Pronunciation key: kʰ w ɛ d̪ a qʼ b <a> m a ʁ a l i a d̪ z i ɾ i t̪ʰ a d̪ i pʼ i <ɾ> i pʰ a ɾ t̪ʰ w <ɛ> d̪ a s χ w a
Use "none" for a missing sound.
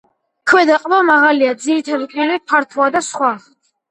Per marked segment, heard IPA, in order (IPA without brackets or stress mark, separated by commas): a, l, a